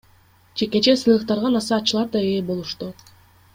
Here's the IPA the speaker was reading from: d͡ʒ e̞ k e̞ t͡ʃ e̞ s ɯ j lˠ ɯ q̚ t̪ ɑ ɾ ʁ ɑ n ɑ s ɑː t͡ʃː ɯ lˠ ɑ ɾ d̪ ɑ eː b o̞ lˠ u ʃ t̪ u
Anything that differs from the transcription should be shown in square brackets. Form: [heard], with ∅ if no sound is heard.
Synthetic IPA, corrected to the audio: d͡ʒ e̞ k e̞ t͡ʃ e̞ s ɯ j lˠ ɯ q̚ t̪ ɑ ɾ ʁ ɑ n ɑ s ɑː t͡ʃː ɯ lˠ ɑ ɾ d̪ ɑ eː b o̞ lˠ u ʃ t̪ u